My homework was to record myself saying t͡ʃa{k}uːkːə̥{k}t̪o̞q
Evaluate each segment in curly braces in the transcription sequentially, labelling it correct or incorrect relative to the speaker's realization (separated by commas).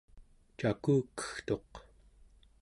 correct, incorrect